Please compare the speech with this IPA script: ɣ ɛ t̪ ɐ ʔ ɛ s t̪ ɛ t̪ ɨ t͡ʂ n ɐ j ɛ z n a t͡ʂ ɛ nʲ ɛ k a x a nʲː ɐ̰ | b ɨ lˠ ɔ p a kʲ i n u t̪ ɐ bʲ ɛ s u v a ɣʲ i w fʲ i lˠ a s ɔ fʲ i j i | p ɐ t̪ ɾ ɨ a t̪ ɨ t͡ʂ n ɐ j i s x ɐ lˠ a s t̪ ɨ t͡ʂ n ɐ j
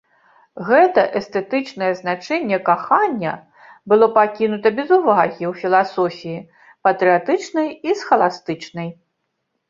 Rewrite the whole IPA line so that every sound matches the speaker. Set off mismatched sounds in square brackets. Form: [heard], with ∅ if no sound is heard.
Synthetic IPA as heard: ɣ ɛ t̪ ɐ ʔ ɛ s t̪ ɛ t̪ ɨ t͡ʂ n ɐ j ɛ z n a t͡ʂ ɛ [nʲː] ɛ k a x a nʲː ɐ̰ | b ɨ lˠ ɔ p a kʲ i n u t̪ ɐ bʲ ɛ [z] u v a ɣʲ i w fʲ i lˠ a s ɔ fʲ i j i | p ɐ t̪ ɾ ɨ a t̪ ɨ t͡ʂ n ɐ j i s x ɐ lˠ a s t̪ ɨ t͡ʂ n ɐ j